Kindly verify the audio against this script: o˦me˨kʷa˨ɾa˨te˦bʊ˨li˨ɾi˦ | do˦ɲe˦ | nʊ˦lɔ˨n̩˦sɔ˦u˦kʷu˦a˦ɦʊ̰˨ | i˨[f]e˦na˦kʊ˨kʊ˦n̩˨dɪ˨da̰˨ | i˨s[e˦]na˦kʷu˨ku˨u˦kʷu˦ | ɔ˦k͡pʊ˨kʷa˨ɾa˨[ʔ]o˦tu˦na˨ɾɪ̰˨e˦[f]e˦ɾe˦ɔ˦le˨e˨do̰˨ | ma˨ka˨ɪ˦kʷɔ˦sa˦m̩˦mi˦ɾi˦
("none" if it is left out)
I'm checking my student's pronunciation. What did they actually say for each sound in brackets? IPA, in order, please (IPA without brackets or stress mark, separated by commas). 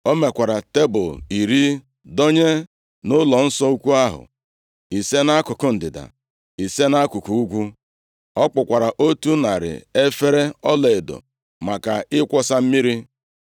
s, e˦, ʔ, f